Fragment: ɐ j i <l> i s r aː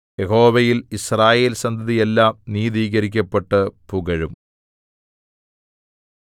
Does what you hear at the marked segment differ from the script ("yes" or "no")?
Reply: no